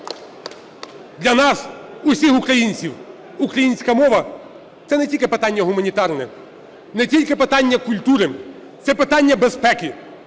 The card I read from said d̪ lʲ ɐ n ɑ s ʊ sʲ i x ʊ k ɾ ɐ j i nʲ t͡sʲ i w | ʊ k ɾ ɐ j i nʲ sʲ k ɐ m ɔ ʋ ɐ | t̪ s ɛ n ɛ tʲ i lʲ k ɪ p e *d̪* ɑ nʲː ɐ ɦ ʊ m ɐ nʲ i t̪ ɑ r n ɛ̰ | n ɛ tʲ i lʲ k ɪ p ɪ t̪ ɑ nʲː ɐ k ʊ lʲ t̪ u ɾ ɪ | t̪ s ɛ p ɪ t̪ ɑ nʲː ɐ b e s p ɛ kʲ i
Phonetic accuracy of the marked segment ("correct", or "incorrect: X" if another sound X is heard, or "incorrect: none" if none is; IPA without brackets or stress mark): incorrect: t̪